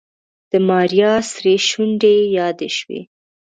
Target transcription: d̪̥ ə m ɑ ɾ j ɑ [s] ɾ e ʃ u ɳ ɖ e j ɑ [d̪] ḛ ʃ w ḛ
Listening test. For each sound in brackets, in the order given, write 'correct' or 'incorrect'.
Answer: correct, correct

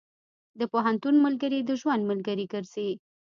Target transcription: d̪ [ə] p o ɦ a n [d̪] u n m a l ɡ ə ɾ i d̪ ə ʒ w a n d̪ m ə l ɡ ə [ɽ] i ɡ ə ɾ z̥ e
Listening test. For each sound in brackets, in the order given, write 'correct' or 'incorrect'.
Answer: correct, incorrect: t̪, incorrect: ɾ

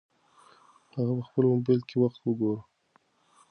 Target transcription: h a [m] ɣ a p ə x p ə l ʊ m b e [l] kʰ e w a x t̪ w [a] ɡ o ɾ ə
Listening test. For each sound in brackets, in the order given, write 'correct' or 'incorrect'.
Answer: incorrect: none, correct, incorrect: ə

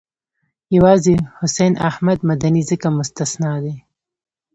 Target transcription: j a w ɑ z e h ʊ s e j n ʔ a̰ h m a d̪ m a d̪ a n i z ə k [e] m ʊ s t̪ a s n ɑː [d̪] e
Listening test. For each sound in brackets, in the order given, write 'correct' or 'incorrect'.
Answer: incorrect: a, correct

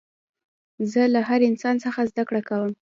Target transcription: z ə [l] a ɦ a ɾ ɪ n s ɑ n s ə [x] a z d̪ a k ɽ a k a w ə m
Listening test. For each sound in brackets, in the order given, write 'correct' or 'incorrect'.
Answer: correct, correct

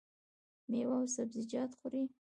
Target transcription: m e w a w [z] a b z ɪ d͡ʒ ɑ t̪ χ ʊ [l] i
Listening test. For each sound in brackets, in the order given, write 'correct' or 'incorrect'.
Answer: incorrect: s, incorrect: ɾ

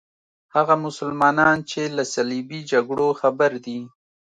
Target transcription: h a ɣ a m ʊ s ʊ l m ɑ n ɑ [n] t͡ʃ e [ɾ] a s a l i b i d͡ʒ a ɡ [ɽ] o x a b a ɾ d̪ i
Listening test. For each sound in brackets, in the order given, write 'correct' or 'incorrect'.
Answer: correct, incorrect: l, correct

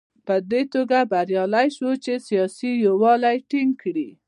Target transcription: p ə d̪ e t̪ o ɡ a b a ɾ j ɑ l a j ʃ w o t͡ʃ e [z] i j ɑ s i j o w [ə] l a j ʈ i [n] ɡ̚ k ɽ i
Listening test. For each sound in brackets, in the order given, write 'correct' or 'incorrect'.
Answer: incorrect: s, incorrect: ɑ, incorrect: ŋ

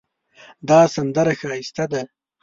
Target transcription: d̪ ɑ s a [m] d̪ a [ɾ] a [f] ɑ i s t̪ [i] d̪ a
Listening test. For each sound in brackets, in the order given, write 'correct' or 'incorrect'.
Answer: incorrect: n, correct, incorrect: x, incorrect: a

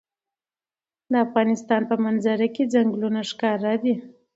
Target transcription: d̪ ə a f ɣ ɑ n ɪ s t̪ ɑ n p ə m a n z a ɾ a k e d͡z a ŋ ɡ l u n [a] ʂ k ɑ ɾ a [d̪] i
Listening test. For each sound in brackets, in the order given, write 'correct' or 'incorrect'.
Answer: correct, correct

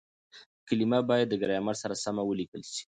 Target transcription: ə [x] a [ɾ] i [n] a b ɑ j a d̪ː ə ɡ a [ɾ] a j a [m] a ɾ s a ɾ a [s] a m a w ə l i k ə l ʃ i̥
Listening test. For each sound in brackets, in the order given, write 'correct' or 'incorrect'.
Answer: incorrect: k, incorrect: l, incorrect: m, correct, correct, correct

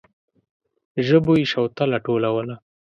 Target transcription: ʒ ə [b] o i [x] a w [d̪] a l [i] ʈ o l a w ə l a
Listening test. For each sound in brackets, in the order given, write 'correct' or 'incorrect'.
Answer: correct, incorrect: ʃ, incorrect: t̪, incorrect: a

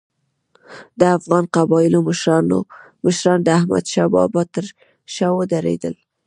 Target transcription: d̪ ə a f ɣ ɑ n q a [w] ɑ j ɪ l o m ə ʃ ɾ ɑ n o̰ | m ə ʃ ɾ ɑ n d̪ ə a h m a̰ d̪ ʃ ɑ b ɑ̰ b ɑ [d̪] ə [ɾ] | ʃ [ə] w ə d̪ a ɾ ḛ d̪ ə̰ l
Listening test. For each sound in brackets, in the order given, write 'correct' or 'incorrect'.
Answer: incorrect: b, incorrect: t̪, correct, incorrect: ɑ

